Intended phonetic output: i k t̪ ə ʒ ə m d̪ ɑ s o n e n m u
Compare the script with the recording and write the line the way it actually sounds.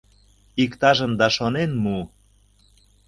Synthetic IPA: i k t̪ ɑ ʒ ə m d̪ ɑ ʃ o n e n m u